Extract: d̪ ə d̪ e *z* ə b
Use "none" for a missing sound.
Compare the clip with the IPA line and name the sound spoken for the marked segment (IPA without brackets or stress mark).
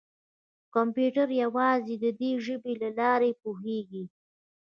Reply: ʒ